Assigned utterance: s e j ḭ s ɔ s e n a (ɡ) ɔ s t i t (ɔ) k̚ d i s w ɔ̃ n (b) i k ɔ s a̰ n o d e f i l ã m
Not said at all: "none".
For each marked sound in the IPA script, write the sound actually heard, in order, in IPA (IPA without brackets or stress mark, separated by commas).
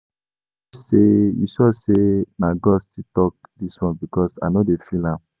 ɡ, ɔ, b